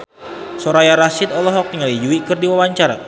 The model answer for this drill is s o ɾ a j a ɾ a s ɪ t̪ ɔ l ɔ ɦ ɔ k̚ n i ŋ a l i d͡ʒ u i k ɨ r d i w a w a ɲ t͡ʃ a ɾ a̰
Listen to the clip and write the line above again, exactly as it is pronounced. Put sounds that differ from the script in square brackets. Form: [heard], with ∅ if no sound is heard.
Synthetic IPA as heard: s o ɾ a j a ɾ a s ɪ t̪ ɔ l ɔ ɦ ɔ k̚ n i ŋ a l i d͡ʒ u i k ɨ r d i w a w a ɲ t͡ʃ a ɾ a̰